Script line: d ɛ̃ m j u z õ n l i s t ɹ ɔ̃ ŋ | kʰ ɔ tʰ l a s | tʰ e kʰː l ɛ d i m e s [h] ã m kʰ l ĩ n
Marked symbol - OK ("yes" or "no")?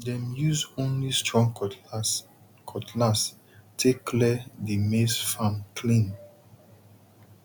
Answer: no